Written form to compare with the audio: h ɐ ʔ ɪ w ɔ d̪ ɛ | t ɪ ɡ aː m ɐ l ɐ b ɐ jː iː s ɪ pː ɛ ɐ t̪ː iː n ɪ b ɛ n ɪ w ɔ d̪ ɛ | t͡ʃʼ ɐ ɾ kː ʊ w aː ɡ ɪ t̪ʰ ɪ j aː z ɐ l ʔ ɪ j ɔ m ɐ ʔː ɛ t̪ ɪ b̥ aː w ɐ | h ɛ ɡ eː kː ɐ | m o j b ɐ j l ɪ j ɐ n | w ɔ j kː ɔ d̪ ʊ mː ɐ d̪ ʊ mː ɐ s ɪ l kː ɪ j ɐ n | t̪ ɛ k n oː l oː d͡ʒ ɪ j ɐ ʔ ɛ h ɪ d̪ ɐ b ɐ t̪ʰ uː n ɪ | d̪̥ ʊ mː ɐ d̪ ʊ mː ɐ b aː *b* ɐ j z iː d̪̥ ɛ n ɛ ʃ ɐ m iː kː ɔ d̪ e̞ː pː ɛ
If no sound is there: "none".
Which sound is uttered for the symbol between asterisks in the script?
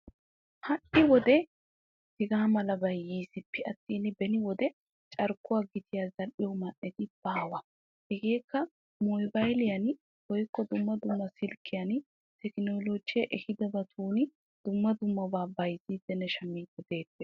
b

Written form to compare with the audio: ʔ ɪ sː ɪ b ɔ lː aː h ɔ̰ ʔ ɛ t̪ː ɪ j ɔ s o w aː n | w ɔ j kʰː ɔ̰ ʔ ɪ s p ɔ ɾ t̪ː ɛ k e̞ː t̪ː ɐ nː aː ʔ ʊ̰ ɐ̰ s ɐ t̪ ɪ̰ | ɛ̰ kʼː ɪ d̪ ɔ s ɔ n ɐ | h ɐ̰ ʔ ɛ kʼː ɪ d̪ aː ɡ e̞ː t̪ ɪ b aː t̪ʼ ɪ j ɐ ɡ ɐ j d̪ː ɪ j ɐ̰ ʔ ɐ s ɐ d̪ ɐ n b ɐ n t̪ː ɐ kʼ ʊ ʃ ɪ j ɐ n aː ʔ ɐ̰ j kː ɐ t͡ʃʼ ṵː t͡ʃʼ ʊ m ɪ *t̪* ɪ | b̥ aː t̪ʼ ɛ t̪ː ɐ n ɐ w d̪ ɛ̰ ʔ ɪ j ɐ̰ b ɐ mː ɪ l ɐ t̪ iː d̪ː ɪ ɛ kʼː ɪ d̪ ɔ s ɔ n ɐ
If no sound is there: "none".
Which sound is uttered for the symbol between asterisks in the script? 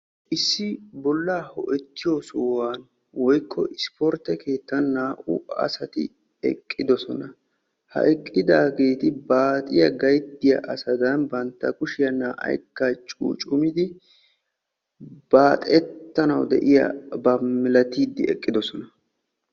d̪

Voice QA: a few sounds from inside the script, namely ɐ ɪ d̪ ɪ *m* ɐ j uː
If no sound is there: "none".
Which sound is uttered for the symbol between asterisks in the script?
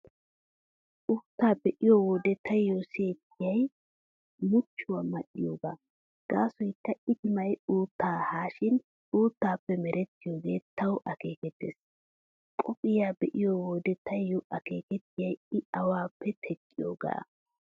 m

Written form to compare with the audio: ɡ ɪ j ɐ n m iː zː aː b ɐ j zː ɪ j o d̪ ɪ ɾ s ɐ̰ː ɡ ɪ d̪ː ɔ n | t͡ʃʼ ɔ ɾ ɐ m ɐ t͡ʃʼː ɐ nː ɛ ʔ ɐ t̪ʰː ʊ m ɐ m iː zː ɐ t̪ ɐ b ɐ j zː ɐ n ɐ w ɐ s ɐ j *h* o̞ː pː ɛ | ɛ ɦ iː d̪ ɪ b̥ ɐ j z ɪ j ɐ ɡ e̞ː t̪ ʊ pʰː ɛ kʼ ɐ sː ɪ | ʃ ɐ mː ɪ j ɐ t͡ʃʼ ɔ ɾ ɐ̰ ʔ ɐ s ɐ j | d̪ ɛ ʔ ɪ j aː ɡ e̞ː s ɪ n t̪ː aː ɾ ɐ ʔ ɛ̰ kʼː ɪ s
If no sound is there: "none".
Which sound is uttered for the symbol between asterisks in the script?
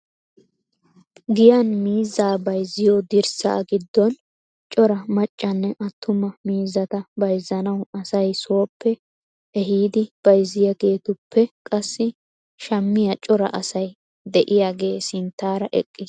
s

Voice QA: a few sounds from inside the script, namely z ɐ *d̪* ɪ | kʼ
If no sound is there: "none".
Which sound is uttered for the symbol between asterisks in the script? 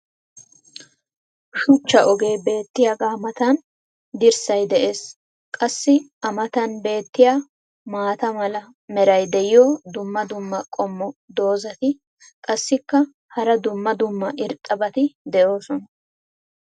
t̪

